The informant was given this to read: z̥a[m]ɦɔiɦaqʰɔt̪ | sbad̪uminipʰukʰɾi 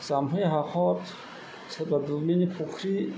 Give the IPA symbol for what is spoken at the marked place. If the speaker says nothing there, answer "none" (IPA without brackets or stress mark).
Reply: m